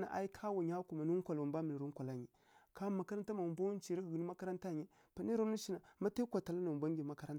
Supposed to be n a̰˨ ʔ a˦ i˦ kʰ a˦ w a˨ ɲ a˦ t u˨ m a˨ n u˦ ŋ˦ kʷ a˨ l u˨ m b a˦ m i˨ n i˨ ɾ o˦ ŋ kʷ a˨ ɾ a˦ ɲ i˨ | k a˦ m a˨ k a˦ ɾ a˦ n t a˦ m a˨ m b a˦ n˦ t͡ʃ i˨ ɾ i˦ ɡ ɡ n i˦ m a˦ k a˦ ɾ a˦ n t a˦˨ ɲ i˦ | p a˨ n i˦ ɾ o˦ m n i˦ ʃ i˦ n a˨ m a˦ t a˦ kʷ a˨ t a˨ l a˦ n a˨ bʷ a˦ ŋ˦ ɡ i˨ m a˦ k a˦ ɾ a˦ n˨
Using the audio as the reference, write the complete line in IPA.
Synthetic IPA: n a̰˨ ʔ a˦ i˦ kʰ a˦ w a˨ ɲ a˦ k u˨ m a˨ n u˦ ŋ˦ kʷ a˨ l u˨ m b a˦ m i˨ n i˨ ɾ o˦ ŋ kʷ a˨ l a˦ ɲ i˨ | k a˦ m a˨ k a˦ ɾ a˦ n t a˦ m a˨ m b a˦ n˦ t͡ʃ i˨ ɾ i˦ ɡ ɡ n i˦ m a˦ k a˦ ɾ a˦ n t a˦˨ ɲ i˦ | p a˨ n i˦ ɾ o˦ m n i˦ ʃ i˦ n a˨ m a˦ t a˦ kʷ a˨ t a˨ l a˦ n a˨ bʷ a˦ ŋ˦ ɡ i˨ m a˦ k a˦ ɾ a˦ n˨